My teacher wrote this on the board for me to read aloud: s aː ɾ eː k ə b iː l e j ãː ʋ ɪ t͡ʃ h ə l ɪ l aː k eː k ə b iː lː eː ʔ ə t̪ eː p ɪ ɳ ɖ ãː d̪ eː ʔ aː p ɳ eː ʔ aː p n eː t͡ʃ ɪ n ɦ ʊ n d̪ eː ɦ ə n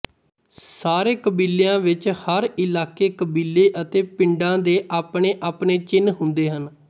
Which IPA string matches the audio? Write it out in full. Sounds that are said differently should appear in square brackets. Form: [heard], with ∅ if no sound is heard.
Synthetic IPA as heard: s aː ɾ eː k ə b iː l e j ãː ʋ ɪ t͡ʃ h ə [ɾ] ɪ l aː k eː k ə b iː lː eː ʔ ə t̪ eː p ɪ ɳ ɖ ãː d̪ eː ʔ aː p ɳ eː ʔ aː p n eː t͡ʃ ɪ n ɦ ʊ n d̪ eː ɦ ə n